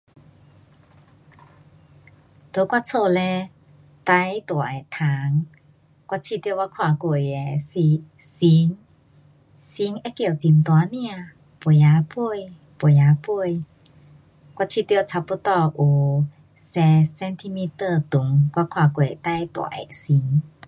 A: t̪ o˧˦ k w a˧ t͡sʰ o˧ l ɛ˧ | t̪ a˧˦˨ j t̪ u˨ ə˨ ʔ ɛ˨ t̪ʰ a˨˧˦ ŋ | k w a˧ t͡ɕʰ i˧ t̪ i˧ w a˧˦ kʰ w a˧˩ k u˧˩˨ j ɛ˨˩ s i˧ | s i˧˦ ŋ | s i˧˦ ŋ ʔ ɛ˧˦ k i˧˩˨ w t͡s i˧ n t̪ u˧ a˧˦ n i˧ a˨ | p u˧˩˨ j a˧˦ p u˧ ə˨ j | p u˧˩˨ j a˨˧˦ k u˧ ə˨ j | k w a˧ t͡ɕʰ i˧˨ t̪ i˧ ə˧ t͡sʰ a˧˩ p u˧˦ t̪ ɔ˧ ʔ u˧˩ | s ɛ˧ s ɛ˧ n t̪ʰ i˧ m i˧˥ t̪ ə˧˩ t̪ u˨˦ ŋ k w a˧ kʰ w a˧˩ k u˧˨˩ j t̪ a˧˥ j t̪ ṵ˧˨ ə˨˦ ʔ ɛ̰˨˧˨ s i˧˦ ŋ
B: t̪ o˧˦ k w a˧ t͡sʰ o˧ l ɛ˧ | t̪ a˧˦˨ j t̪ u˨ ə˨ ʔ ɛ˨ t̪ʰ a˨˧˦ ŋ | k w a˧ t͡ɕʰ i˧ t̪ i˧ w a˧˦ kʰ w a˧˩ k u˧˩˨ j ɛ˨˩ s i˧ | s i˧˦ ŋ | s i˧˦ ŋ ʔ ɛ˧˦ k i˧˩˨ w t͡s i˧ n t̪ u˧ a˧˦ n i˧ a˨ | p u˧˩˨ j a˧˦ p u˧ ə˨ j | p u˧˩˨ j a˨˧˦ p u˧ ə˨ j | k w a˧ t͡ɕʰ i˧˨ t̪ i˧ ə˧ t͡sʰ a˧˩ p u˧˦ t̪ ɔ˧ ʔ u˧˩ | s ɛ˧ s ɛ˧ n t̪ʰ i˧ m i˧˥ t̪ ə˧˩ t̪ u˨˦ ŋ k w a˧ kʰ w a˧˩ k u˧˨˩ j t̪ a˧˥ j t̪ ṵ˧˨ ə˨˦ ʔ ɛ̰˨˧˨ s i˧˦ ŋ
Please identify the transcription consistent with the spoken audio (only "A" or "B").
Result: B